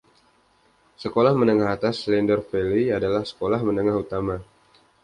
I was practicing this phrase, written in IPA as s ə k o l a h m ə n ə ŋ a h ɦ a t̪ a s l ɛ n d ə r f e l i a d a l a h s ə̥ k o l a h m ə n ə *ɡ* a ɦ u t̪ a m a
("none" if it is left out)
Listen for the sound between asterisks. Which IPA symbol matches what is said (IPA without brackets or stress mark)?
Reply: ŋ